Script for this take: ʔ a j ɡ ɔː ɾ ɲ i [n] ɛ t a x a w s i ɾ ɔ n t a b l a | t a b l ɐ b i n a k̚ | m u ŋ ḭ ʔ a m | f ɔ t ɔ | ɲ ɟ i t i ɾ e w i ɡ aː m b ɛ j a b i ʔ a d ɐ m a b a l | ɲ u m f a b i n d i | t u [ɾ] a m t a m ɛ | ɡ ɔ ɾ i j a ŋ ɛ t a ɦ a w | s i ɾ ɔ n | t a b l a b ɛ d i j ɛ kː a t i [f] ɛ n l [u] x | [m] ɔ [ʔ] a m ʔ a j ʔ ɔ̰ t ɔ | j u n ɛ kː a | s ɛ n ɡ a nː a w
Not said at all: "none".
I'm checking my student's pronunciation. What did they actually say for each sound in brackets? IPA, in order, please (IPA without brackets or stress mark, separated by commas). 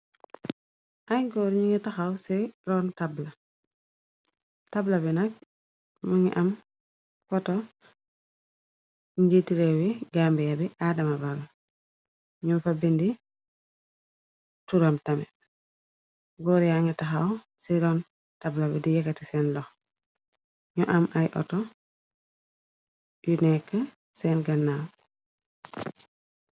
ŋ, ɾ, s, ɔ, ɲ, ʔ